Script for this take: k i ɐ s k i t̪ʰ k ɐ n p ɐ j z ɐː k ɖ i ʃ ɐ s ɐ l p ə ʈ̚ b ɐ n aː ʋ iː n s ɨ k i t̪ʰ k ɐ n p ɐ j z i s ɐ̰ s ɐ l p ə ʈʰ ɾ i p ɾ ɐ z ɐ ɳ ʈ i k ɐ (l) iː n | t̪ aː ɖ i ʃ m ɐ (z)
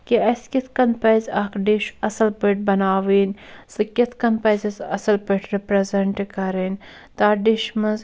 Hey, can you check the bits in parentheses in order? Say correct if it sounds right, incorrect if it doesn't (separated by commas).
incorrect, correct